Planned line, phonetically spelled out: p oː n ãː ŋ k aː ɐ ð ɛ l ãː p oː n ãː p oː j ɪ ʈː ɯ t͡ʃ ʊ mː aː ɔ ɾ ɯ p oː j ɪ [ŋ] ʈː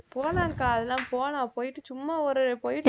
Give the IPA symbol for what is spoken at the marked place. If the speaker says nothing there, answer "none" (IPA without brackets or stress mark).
none